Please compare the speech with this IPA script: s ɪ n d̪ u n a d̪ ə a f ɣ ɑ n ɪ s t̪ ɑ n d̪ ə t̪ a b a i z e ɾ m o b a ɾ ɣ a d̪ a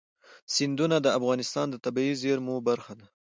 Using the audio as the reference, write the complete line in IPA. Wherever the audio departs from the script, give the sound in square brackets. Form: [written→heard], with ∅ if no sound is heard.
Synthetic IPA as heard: s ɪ n d̪ u n a d̪ ə a f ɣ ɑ n ɪ s t̪ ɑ n d̪ ə t̪ a b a i z e ɾ m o b a ɾ [ɣ→x] a d̪ a